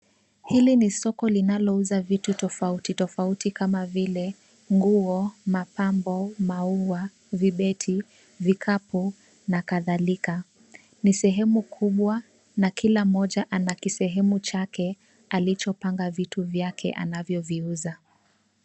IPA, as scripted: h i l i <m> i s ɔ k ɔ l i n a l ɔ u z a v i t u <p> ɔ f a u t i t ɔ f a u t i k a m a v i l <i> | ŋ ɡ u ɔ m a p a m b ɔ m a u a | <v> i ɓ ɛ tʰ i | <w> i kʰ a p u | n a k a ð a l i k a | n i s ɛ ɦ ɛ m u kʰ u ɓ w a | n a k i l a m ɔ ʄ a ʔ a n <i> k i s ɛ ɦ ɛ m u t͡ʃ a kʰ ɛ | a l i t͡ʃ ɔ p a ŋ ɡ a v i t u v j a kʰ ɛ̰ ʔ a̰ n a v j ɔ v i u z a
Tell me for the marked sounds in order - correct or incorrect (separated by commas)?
incorrect, incorrect, incorrect, correct, incorrect, incorrect